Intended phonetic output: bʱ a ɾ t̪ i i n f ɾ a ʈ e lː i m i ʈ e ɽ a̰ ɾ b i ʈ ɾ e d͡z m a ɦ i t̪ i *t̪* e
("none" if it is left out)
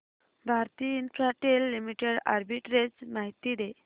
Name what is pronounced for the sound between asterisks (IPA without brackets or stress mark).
d̪